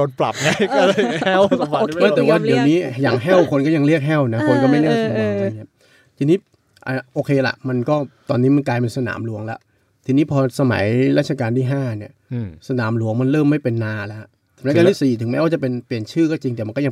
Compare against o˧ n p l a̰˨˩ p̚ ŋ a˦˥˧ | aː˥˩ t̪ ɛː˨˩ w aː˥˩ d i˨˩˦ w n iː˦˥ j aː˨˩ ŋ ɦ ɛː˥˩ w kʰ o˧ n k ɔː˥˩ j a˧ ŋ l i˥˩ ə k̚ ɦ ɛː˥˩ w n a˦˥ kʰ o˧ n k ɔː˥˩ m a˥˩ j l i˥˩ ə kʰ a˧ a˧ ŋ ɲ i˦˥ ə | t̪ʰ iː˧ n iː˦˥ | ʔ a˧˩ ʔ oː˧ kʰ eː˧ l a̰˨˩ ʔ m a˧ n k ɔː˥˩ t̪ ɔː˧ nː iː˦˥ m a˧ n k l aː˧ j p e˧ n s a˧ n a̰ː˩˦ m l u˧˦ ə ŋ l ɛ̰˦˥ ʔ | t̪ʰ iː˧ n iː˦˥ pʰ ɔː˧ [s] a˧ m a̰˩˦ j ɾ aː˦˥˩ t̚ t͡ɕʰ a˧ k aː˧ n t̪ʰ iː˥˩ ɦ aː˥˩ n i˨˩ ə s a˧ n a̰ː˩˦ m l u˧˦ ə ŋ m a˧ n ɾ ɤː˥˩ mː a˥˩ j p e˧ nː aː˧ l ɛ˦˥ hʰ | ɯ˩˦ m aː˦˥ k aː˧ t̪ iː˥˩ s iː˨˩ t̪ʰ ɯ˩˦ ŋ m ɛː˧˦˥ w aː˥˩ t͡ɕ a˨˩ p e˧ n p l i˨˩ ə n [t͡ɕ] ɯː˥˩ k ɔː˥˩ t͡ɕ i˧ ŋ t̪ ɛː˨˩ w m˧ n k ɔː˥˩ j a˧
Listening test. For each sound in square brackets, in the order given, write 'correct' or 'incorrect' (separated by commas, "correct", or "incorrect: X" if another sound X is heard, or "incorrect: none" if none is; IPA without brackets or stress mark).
correct, incorrect: t͡ɕʰ